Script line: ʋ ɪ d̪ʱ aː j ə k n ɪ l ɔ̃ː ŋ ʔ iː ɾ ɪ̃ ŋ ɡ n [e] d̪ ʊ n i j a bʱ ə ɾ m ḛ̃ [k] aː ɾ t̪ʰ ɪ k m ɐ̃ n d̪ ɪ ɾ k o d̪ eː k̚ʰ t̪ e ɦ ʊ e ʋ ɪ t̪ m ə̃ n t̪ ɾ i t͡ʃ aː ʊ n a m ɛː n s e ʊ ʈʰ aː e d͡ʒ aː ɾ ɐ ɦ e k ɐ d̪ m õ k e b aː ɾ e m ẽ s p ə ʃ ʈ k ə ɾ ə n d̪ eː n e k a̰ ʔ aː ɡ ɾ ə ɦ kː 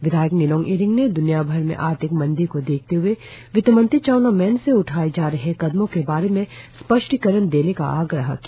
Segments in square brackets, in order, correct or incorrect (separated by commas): correct, incorrect